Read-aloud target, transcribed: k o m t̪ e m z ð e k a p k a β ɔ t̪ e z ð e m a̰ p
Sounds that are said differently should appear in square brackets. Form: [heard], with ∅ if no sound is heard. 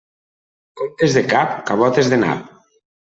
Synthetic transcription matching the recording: k o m t̪ e [∅] z ð e k a p k a β ɔ t̪ e z ð e [n] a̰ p